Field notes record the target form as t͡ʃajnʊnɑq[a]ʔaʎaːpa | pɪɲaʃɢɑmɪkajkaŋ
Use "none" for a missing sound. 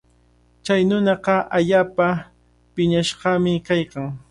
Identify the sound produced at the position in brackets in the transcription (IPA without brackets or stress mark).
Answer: ɑ